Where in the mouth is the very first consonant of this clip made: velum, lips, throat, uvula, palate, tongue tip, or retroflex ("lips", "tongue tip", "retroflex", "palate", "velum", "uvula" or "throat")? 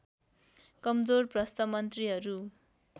velum